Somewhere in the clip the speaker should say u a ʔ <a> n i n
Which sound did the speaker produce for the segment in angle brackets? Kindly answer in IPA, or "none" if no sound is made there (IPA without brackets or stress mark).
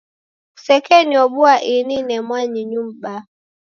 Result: i